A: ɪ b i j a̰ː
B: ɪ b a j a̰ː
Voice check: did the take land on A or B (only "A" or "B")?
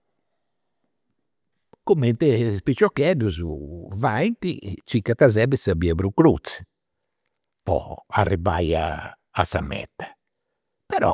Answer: B